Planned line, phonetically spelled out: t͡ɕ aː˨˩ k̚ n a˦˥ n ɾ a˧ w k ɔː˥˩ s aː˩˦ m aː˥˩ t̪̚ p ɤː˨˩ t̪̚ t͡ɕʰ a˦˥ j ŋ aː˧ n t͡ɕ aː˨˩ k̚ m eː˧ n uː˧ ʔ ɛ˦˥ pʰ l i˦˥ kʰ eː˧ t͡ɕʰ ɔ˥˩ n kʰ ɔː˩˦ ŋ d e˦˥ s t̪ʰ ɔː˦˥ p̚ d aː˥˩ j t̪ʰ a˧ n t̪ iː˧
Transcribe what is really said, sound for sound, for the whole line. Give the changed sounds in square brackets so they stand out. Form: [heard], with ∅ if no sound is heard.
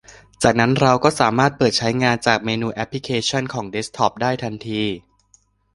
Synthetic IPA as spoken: t͡ɕ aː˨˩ k̚ n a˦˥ n ɾ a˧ w k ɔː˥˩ s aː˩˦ m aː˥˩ t̪̚ p ɤː˨˩ t̪̚ t͡ɕʰ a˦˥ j ŋ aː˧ n t͡ɕ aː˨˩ k̚ m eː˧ n uː˧ ʔ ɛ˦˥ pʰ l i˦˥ kʰ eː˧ t͡ɕʰ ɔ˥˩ n kʰ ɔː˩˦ ŋ d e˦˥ s t̪ʰ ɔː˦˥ p̚ d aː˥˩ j t̪ʰ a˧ n [t̪ʰ] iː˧